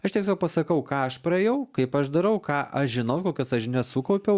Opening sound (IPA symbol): ɐ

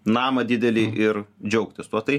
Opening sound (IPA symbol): n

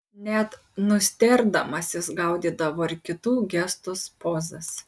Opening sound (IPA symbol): nʲ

